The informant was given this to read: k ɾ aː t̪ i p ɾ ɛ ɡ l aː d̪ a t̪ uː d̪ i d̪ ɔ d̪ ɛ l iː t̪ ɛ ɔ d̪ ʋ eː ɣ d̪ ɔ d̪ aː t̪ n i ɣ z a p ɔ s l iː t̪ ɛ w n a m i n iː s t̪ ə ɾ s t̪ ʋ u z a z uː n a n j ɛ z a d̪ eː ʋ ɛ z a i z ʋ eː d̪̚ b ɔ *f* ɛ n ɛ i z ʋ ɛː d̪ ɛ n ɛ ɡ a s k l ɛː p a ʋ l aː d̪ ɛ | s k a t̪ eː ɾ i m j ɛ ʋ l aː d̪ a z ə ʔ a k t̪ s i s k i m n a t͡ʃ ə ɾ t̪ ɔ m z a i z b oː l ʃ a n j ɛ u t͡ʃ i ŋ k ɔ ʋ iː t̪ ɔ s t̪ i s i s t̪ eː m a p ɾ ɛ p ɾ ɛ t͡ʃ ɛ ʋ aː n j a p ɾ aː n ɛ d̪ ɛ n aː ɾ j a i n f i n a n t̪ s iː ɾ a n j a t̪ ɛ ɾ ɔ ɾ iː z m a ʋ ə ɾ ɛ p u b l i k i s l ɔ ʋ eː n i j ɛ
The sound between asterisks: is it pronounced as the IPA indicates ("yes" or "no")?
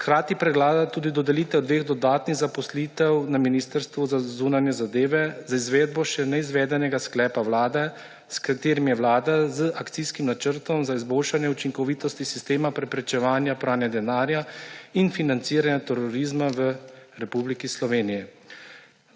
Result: no